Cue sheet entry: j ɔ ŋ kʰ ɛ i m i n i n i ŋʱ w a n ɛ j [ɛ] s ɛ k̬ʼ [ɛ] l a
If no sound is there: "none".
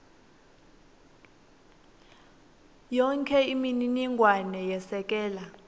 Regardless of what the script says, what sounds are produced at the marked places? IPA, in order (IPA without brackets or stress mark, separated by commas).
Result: ɛ, ɛː